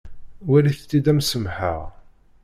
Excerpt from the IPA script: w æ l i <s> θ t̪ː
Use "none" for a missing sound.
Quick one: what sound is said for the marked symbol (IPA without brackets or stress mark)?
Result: none